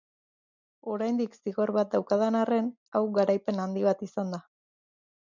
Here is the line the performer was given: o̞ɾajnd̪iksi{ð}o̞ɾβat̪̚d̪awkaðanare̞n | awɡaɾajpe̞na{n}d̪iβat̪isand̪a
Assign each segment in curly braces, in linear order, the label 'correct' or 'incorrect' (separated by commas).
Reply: incorrect, correct